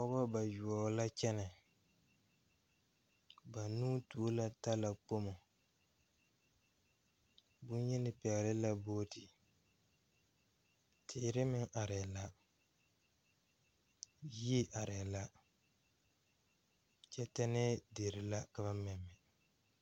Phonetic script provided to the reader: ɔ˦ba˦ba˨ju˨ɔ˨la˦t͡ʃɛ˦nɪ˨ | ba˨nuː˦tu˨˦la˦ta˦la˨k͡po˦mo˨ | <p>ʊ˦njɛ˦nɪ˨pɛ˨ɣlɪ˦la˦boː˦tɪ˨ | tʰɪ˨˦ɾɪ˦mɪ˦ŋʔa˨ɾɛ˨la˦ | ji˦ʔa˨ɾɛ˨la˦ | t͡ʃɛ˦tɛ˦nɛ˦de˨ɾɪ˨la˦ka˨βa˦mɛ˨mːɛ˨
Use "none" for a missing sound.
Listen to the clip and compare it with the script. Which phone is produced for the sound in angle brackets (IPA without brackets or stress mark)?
b